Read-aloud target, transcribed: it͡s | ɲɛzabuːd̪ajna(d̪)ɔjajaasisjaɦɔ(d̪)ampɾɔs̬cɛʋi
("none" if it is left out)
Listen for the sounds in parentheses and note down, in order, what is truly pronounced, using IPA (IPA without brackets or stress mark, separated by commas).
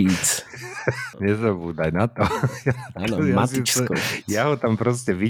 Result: t̪, t̪